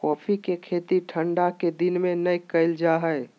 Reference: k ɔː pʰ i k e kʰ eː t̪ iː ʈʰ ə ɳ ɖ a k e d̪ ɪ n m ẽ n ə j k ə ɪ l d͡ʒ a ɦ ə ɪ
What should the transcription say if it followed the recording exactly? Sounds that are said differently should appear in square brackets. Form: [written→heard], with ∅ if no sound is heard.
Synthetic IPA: k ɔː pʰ i k e kʰ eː t̪ [iː→i] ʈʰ ə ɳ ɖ a k e d̪ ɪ n m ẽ n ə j k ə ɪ l d͡ʒ a ɦ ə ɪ

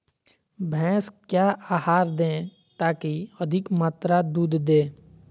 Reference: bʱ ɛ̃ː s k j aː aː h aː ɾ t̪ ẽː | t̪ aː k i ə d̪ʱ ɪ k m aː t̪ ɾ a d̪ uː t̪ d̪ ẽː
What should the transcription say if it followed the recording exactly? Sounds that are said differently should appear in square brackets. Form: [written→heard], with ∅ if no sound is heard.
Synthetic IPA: bʱ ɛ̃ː s k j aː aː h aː ɾ [t̪→d̪] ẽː | t̪ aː k i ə d̪ʱ ɪ k m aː t̪ ɾ a d̪ uː [t̪→d̪] d̪ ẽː

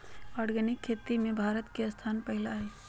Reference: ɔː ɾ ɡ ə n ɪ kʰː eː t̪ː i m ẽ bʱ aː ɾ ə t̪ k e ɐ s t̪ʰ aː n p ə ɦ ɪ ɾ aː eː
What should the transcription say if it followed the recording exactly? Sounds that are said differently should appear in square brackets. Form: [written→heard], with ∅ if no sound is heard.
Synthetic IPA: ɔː ɾ ɡ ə n ɪ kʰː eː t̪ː i m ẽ bʱ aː ɾ ə t̪ k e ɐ s t̪ʰ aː n p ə ɦ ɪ [ɾ→l] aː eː

